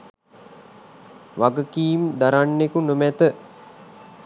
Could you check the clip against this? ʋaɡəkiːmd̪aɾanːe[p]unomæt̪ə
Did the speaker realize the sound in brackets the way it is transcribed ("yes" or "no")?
no